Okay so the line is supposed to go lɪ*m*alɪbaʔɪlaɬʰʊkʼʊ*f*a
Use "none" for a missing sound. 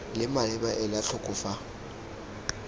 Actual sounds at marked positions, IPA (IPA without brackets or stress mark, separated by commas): m, f